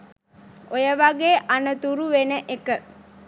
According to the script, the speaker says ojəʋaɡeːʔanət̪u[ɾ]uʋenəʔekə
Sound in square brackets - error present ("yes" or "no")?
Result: no